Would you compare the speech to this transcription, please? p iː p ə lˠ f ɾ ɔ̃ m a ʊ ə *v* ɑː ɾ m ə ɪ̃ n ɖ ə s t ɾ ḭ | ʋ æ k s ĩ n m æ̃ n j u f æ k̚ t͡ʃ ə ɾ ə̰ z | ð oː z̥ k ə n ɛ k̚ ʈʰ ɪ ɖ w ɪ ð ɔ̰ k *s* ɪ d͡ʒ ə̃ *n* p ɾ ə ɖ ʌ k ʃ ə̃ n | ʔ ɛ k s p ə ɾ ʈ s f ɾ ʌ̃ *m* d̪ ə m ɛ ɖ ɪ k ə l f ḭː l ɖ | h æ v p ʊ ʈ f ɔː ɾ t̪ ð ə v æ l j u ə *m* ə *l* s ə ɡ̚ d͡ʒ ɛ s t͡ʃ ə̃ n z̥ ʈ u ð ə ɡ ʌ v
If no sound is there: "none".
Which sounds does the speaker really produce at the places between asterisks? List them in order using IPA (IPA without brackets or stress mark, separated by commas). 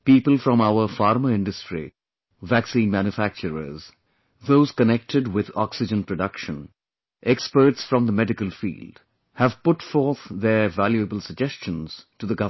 f, s, n, m, b, l